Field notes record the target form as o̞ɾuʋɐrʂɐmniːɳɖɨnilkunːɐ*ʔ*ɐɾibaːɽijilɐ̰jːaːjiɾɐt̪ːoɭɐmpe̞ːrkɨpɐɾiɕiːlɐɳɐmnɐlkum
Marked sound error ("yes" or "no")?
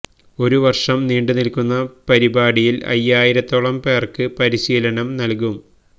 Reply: yes